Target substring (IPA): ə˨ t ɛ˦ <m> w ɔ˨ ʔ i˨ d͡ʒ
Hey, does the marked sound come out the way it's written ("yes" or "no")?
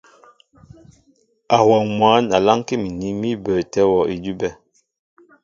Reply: no